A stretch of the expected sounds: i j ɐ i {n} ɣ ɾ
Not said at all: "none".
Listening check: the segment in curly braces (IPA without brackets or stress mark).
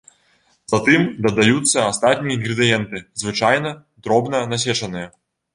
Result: n